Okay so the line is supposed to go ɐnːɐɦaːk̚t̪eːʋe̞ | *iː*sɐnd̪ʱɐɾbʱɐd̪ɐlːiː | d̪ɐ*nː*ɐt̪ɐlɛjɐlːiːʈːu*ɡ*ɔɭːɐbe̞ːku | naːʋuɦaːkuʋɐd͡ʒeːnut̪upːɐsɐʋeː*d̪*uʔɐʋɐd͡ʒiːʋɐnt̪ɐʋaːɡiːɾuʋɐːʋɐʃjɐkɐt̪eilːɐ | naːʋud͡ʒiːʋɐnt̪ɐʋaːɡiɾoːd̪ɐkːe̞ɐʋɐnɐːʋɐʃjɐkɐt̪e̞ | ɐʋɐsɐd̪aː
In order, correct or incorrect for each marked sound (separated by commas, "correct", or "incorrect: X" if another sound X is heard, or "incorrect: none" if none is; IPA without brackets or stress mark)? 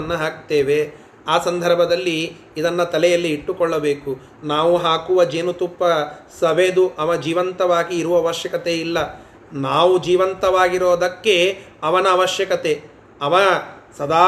incorrect: aː, correct, incorrect: k, correct